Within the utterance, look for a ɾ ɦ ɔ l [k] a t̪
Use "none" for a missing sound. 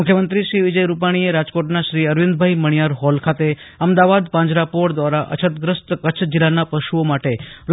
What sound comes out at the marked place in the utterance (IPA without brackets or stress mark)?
kʰ